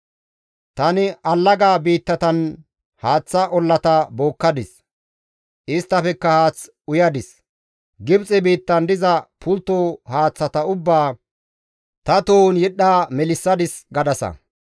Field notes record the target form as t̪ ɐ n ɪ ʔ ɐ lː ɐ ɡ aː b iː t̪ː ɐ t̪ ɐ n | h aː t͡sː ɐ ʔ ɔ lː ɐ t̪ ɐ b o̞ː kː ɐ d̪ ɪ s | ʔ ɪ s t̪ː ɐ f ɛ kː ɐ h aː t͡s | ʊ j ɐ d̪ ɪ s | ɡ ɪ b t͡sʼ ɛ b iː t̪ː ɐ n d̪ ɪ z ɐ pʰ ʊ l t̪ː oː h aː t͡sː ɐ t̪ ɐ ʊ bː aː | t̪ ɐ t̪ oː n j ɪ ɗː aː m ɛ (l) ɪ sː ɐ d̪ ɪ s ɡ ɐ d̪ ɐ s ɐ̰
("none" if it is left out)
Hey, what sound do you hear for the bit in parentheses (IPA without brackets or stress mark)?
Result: l